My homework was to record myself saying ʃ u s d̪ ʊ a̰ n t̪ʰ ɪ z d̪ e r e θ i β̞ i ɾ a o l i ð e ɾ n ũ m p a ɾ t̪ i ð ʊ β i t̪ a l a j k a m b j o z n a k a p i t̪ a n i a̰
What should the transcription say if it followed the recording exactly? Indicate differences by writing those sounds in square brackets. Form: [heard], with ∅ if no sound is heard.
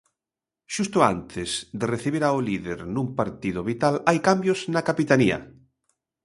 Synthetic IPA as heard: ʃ u s [t̪] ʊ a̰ n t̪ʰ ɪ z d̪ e r e θ i β̞ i ɾ a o l i ð e ɾ n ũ m p a ɾ t̪ i ð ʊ β i t̪ a l a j k a m b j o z n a k a p i t̪ a n i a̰